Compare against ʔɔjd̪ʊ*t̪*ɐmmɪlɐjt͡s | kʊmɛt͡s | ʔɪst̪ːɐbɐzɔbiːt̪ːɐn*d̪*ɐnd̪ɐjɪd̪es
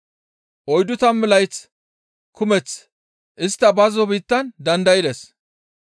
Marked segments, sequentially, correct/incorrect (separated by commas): correct, correct